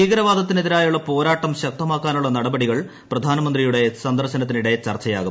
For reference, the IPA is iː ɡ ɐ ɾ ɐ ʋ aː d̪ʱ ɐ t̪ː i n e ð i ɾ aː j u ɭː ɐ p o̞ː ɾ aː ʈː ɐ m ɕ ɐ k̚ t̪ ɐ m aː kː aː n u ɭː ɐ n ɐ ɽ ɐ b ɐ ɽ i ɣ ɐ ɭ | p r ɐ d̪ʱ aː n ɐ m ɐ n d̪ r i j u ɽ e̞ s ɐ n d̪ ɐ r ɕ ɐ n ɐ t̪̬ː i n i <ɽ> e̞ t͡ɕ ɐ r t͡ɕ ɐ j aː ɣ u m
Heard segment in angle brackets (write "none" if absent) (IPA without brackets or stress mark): ɽ